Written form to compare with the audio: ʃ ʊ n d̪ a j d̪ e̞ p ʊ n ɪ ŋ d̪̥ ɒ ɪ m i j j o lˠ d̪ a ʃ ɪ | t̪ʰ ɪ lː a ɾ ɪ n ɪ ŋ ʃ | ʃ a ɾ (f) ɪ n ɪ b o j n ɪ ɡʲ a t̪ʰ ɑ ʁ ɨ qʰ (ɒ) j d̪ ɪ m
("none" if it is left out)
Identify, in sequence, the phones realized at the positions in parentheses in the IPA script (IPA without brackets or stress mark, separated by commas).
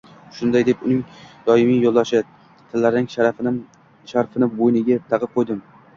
f, o